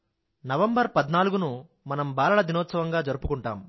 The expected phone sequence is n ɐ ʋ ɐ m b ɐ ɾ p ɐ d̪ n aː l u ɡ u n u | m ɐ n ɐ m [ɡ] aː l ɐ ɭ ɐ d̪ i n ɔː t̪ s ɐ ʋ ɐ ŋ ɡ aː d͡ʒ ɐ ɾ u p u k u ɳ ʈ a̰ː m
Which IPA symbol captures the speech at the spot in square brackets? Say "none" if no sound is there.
b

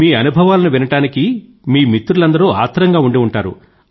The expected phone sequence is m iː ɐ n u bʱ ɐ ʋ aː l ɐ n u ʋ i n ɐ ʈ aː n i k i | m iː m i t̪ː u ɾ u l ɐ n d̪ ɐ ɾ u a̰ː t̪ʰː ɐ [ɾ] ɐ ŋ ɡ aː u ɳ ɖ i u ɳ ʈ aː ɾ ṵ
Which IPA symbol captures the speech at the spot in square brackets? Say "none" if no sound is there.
ɾ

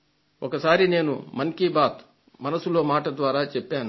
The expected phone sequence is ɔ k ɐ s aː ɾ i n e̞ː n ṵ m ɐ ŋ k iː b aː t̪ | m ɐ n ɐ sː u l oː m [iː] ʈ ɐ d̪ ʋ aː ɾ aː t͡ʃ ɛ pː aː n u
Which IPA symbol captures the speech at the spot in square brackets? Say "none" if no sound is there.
aː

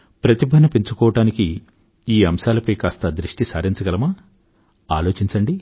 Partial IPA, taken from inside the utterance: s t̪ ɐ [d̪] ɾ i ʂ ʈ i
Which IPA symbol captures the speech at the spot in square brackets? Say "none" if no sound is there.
d̪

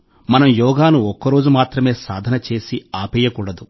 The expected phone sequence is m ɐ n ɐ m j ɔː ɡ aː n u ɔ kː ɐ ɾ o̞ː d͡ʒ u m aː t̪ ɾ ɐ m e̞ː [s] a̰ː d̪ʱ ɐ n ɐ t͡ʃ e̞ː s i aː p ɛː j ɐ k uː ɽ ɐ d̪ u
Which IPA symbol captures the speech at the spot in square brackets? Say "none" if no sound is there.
s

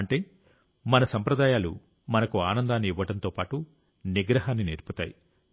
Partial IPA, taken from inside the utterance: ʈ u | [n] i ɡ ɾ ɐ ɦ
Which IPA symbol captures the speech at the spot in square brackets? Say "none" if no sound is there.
n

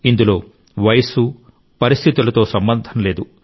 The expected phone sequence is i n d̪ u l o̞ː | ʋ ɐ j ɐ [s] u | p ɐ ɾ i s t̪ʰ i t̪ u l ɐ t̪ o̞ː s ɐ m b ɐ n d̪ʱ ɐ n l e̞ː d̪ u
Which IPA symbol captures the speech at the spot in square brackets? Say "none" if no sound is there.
s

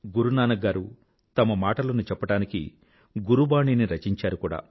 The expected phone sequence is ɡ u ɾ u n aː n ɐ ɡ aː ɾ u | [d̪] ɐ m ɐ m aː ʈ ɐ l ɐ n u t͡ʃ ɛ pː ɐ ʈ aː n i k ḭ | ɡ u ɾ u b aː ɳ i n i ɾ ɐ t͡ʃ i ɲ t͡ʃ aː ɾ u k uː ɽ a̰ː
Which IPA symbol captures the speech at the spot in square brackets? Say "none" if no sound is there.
t̪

